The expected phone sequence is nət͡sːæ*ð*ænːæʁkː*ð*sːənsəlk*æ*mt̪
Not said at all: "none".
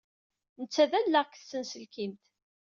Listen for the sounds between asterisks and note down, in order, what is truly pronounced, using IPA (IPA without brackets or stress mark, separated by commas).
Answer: ð, θ, i